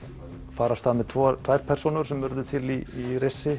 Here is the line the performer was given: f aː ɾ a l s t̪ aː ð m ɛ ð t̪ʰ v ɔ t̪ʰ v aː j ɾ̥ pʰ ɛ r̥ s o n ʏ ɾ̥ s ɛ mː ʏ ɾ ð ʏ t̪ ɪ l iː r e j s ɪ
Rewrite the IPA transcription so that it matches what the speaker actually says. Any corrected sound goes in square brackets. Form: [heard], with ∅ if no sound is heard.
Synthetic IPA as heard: f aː ɾ a [∅] s t̪ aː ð m ɛ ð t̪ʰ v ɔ t̪ʰ v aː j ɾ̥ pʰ ɛ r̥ s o n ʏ ɾ̥ s ɛ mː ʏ ɾ ð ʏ [t̪ʰ] ɪ l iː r e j s ɪ